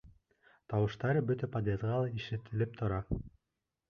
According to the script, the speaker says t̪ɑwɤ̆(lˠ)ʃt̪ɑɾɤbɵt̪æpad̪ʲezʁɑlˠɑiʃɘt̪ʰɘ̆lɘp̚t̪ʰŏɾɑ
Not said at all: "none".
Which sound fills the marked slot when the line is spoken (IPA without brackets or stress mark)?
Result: none